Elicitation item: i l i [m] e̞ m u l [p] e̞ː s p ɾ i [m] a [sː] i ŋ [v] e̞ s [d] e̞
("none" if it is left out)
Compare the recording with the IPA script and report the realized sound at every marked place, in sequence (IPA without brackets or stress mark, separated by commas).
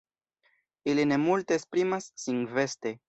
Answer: n, t, m, sː, v, t